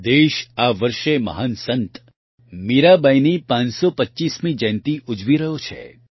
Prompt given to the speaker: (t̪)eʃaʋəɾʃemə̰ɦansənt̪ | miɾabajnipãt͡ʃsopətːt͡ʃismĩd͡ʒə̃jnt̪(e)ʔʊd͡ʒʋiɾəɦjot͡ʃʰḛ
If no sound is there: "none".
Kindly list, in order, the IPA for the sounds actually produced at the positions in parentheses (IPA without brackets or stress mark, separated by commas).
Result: d̪, i